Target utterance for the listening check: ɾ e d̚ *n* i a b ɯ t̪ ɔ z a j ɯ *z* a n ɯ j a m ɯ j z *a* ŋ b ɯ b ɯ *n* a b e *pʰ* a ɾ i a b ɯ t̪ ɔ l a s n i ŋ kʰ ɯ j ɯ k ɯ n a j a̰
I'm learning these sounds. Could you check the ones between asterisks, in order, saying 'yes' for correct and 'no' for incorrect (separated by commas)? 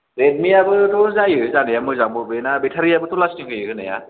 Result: no, yes, yes, yes, no